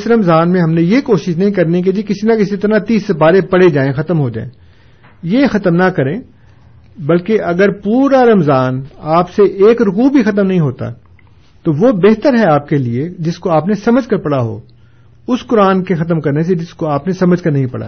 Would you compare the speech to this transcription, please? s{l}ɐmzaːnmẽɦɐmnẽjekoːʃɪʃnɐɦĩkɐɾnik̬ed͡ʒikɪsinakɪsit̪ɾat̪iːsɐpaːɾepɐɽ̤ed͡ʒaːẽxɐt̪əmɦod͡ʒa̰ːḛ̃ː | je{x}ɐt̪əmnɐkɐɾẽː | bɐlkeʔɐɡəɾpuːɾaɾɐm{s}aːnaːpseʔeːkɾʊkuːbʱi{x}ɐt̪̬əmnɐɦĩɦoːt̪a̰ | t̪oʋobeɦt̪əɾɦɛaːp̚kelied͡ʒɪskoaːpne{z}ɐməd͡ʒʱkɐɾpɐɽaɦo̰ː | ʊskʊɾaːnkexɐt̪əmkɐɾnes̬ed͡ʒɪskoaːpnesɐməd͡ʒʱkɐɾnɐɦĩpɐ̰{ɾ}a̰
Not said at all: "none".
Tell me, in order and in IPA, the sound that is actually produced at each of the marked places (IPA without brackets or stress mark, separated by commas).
ɾ, x, z, x, s, ɽ